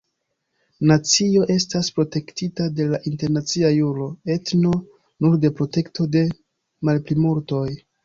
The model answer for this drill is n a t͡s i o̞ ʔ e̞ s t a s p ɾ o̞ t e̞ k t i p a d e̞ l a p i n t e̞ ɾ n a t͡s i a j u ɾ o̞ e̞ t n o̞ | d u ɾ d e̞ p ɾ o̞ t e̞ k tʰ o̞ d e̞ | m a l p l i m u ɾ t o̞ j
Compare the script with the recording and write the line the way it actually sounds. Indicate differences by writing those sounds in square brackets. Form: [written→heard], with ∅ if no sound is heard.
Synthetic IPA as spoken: n a t͡s i o̞ ʔ e̞ s t a s p ɾ o̞ t e̞ k t i [p→t] a d e̞ l a [p→ʔ] i n t e̞ ɾ n a t͡s i a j u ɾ o̞ e̞ t n o̞ | [d→n] u ɾ d e̞ p ɾ o̞ t e̞ k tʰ o̞ d e̞ | m a l p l i m u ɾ t o̞ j